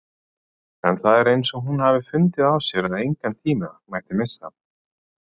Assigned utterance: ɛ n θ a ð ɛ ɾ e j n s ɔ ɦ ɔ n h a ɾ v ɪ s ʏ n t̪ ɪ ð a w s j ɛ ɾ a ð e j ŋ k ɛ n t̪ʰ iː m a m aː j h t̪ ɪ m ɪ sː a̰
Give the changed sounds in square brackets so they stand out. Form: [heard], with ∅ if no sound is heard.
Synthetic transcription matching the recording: ɛ n θ a ð ɛ ɾ e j n s ɔ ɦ [u] n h a [∅] v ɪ [f] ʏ n t̪ ɪ ð a w s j ɛ ɾ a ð e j ŋ k [a] n t̪ʰ iː m a m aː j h t̪ ɪ m ɪ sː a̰